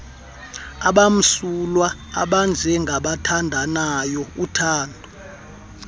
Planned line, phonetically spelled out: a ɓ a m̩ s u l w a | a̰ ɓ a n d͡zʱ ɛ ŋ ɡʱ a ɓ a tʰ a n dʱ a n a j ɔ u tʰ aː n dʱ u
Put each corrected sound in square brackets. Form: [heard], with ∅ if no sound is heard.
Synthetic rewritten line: a ɓ a m̩ s u l w a | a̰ ɓ a n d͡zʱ ɛ ŋ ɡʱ a ɓ a tʰ a n dʱ a n a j ɔ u tʰ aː n dʱ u